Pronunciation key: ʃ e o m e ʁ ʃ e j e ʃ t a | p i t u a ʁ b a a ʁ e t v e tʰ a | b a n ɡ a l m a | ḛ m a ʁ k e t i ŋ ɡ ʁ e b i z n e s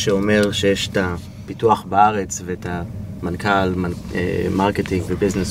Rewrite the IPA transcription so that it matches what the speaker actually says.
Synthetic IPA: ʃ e o m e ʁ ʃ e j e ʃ t a | p i t u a χ b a a ʁ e t͡s v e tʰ a | m a n k a l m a | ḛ m a ʁ k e t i ŋ ɡ v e b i z n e s